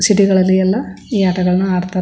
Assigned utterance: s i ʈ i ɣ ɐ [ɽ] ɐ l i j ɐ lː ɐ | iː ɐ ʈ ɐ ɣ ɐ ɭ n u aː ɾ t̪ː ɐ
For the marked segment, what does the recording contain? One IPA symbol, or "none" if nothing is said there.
ɭ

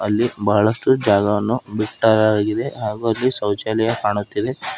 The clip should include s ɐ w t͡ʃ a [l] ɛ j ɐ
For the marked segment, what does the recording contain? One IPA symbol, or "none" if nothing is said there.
l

